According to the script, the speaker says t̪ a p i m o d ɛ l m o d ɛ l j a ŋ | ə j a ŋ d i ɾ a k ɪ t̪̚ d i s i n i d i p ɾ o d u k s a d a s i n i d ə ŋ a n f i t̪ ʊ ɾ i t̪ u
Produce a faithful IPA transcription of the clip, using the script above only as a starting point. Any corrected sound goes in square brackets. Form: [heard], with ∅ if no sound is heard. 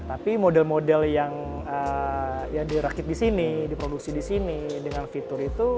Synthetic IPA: t̪ a p i m o d ɛ l m o d ɛ l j a ŋ | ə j a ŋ d i ɾ a k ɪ t̪̚ d i s i n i d i p ɾ o d u k s [i] d [i] s i n i d ə ŋ a n f i t̪ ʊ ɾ i t̪ u